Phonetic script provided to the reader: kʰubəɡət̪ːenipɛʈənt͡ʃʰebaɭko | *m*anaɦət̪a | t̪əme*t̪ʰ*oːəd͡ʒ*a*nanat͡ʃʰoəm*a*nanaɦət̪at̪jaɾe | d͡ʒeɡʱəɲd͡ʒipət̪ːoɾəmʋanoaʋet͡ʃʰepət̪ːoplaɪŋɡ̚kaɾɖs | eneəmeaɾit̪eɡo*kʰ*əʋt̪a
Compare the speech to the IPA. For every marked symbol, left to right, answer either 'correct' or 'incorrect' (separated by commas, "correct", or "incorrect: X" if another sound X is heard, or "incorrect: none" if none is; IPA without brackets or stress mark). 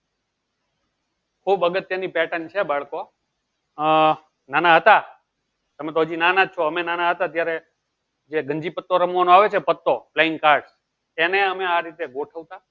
incorrect: n, incorrect: t̪, incorrect: i, incorrect: e, incorrect: ʈʰ